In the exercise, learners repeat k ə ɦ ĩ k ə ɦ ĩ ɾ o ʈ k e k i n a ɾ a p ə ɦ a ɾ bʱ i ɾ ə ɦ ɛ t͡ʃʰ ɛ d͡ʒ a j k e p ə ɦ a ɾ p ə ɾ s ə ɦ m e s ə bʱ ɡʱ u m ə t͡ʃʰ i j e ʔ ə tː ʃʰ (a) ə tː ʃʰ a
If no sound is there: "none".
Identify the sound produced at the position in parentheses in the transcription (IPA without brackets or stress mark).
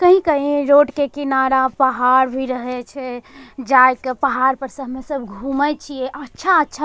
a